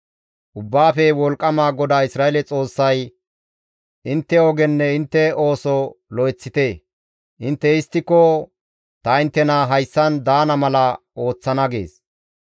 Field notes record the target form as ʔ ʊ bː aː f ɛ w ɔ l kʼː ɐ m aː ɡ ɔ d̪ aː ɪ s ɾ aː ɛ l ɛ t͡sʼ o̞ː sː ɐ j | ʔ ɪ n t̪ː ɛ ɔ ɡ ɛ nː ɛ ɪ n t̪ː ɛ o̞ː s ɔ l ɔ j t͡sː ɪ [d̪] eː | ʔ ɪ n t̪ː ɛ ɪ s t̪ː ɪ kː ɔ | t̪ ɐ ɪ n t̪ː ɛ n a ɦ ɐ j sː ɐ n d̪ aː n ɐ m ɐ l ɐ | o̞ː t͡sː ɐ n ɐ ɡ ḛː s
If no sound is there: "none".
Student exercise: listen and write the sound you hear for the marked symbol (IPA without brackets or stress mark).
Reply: t̪